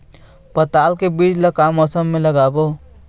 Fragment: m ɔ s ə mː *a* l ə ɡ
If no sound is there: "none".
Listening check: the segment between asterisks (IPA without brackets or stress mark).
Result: e